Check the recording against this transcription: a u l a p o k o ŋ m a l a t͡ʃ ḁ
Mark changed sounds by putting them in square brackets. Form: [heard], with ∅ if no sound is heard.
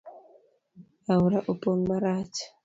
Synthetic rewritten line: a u [ɾ] a [ʔ] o [p] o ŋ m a [ɾ] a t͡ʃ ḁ